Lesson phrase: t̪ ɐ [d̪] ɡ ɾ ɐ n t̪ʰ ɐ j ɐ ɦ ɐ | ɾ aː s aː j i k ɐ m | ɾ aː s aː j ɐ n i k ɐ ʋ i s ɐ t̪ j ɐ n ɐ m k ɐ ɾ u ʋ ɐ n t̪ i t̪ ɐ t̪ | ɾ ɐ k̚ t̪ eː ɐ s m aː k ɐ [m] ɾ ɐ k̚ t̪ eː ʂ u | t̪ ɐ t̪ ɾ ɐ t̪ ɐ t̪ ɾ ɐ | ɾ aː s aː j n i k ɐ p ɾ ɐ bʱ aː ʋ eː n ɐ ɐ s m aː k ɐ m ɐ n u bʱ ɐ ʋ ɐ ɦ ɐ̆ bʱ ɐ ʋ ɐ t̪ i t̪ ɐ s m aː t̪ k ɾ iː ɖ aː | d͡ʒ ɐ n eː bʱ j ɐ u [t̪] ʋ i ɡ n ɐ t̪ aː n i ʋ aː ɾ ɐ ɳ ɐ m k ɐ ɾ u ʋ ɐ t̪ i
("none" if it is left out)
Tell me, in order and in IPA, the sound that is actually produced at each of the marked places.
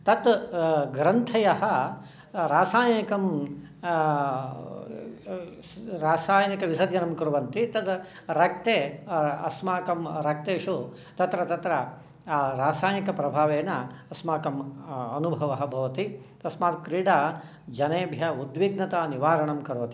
t̪, m, d̪

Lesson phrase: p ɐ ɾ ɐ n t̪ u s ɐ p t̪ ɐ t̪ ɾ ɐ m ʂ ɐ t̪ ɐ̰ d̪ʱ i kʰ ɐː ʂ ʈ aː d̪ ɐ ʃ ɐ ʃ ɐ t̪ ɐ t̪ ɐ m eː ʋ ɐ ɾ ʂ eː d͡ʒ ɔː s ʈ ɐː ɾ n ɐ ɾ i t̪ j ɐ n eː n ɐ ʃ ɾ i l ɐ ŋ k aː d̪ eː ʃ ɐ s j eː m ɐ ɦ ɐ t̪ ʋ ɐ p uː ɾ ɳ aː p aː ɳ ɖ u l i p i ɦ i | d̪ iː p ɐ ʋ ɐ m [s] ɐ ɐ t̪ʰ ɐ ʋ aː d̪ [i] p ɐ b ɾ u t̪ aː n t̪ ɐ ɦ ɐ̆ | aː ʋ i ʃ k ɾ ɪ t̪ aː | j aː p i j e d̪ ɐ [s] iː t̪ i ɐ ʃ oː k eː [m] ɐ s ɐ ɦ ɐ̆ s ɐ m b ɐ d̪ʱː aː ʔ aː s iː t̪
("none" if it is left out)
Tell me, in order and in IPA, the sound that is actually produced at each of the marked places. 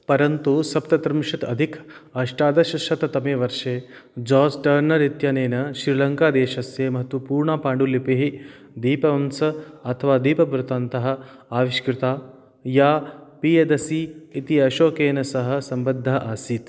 s, iː, s, n

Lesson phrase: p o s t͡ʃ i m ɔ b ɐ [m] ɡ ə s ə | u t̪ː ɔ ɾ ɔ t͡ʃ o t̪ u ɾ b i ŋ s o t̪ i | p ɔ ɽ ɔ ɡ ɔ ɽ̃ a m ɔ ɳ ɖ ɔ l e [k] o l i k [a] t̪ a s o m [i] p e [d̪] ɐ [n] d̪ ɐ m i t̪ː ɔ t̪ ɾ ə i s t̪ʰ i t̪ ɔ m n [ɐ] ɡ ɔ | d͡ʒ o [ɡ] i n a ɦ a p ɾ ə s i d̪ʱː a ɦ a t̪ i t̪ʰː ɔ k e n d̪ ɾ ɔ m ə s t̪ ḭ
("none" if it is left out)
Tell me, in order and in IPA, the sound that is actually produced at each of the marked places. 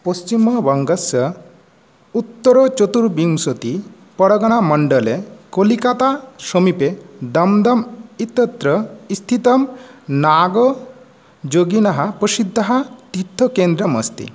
ŋ, k, a, i, d̪, m, a, ɡ

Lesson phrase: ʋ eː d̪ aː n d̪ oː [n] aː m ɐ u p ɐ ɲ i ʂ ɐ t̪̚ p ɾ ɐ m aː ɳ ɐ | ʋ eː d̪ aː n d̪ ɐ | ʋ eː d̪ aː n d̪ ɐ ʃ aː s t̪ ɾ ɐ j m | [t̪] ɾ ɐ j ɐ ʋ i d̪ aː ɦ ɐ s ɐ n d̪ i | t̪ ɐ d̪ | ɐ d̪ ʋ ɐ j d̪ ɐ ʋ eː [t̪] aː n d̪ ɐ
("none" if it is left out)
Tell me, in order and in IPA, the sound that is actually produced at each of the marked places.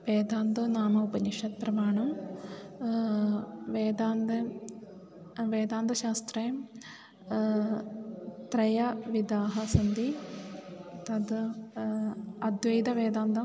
n, t̪, d̪

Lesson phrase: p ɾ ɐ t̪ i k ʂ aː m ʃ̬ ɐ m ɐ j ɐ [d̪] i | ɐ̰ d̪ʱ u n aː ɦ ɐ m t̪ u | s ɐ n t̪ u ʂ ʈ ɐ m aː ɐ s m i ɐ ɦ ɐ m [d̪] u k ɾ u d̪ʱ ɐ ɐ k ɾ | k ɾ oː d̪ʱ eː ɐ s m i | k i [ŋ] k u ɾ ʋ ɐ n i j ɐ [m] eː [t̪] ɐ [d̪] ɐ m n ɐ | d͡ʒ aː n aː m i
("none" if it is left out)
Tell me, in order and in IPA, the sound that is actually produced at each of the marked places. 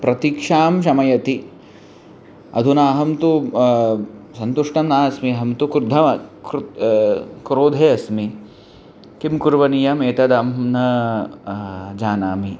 t̪, t̪, m, m, t̪, d̪

